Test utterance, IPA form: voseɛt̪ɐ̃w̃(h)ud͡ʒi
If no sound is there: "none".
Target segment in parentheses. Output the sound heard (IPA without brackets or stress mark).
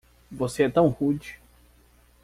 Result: h